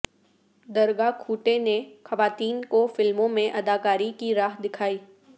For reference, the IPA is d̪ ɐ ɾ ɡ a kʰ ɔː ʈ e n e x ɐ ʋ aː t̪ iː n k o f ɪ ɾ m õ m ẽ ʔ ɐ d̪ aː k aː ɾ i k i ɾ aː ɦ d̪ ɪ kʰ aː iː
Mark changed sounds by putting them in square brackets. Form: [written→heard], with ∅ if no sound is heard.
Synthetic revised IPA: d̪ ɐ ɾ ɡ a kʰ [ɔː→uː] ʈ e n e x ɐ ʋ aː t̪ iː n k o f ɪ [ɾ→l] m õ m ẽ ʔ ɐ d̪ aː k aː ɾ i k i ɾ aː ɦ d̪ ɪ kʰ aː iː